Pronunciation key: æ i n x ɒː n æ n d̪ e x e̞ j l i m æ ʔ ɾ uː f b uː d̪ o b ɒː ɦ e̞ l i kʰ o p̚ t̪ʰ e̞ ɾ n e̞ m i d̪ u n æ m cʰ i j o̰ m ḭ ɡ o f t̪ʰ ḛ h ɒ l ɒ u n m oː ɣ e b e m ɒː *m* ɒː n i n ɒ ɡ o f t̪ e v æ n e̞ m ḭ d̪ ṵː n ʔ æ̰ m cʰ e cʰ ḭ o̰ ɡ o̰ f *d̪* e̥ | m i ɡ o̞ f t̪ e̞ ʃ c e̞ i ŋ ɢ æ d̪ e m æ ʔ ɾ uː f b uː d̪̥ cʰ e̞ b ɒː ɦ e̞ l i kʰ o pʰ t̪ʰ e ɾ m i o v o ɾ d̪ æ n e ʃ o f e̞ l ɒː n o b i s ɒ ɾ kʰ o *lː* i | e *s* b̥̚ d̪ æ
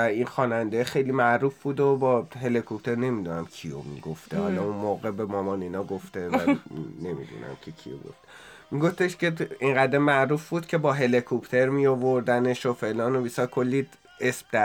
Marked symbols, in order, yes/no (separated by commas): yes, no, yes, yes